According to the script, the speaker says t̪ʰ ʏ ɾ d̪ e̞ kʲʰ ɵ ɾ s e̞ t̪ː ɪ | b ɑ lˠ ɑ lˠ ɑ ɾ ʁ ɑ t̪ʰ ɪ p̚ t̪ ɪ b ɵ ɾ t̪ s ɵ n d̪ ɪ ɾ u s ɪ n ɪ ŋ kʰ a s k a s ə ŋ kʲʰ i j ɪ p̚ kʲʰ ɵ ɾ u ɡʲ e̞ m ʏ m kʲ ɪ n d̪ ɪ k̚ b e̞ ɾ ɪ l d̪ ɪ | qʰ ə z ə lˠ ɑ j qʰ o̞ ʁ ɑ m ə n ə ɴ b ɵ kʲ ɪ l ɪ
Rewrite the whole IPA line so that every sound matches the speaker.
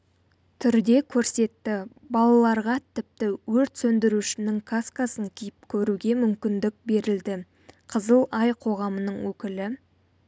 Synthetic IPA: t̪ʰ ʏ ɾ d̪ e̞ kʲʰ ɵ ɾ s e̞ t̪ː ɪ | b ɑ lˠ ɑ lˠ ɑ ɾ ʁ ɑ t̪ʰ ɪ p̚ t̪ ɪ w ɵ ɾ t̪ s ɵ n d̪ ɪ ɾ u ʃ ɪ n ɪ ŋ kʰ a s k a s ə ŋ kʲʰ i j ɪ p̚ kʲʰ ɵ ɾ u ɡʲ e̞ m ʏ m kʲ ɪ n d̪ ɪ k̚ b e̞ ɾ ɪ l d̪ ɪ | qʰ ə z ə lˠ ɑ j qʰ o̞ ʁ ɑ m ə n ə ɴ w ɵ kʲ ɪ l ɪ